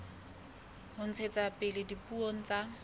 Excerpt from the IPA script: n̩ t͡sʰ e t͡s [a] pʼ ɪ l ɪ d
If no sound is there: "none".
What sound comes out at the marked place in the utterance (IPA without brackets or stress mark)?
a